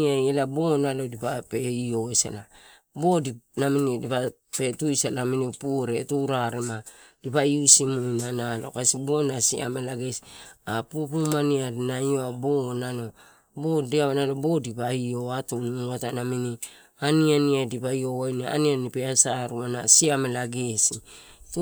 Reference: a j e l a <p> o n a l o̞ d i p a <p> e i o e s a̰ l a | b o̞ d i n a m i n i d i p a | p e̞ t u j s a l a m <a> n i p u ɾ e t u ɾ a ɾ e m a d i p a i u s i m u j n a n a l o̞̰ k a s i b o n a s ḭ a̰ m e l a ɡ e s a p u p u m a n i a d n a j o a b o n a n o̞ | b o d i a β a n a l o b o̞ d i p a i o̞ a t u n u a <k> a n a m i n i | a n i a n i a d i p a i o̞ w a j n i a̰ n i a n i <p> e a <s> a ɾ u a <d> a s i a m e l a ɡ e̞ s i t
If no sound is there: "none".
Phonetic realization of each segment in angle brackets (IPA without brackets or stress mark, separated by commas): b, p, i, t, p, s, n